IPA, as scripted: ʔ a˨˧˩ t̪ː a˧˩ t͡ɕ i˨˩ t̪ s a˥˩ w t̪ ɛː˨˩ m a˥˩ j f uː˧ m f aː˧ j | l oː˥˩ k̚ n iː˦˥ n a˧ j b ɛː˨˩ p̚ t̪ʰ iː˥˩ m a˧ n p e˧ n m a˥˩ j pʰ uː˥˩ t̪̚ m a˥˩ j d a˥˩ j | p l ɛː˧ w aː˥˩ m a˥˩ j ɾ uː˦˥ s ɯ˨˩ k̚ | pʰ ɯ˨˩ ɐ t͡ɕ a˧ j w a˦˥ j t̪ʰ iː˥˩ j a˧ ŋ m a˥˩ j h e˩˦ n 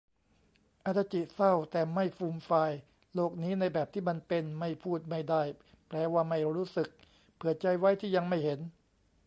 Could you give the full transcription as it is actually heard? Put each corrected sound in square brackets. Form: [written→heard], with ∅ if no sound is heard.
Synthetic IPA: ʔ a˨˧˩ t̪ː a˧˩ t͡ɕ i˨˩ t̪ s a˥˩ w t̪ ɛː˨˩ m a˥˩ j f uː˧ m f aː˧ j | l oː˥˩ k̚ n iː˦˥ n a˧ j b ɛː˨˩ p̚ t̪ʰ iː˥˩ m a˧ n p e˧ n m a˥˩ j pʰ uː˥˩ t̪̚ m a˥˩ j d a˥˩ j | p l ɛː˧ w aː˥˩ m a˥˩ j ɾ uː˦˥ s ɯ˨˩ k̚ | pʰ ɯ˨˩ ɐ t͡ɕ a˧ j w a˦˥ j t̪ʰ iː˥˩ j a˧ ŋ m a˥˩ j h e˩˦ n